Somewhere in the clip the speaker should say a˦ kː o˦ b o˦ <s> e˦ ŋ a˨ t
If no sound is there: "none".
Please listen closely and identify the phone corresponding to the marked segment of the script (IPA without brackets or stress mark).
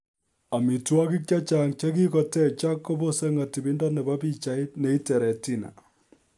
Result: s